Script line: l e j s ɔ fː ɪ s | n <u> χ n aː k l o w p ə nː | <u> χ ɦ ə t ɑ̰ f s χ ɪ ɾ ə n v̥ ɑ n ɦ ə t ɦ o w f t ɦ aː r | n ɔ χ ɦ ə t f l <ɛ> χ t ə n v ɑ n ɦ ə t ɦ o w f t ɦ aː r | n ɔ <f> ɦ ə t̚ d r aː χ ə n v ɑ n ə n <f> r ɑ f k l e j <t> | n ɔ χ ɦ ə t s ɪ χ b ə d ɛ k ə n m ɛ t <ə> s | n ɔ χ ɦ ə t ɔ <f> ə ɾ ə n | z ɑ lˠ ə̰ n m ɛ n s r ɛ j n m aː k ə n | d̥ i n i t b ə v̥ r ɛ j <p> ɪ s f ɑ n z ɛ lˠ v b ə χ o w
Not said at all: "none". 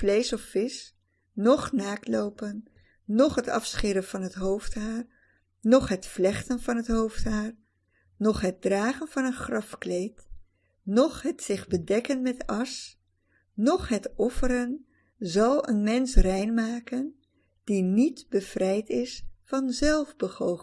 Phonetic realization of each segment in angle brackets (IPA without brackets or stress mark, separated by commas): ɔ, ɔ, ɛ, χ, χ, t, ɑ, f, t